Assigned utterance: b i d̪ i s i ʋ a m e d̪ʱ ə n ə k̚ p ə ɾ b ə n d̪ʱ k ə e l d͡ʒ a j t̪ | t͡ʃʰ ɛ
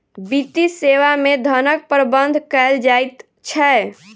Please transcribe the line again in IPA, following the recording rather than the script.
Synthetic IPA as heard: b i t̪ i s e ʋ a m e d̪ʱ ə n ə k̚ p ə ɾ b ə n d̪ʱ k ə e l d͡ʒ a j t̪ | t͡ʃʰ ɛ